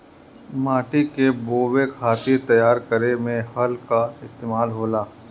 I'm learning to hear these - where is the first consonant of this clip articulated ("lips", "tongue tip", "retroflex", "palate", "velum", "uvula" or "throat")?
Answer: lips